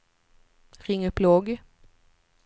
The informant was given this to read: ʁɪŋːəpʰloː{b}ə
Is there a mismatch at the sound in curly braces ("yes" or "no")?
yes